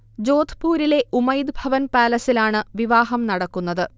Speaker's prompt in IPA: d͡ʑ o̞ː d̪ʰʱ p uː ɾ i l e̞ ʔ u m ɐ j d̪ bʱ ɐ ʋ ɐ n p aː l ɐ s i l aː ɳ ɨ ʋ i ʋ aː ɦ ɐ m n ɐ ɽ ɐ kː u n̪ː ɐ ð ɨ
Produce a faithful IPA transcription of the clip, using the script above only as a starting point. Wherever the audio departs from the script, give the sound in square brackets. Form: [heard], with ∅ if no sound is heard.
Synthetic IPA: d͡ʑ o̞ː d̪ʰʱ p uː ɾ i l e̞ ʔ u m ɐ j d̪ bʱ ɐ ʋ ɐ n p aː l ɐ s i l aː ɳ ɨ ʋ i ʋ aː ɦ ɐ m n ɐ ɽ ɐ kː u n̪ː ɐ ð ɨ